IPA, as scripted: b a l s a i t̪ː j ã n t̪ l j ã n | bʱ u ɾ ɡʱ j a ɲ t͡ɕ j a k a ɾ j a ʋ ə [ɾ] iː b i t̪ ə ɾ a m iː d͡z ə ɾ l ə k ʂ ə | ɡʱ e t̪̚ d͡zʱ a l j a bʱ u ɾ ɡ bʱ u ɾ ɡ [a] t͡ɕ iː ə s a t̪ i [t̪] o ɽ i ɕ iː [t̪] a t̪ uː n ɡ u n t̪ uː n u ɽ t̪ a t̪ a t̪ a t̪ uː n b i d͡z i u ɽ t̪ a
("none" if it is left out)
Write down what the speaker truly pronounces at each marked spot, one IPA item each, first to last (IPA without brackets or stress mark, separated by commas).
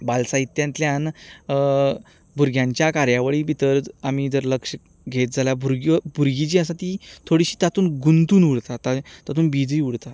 ɭ, i, t̪ʰ, t̪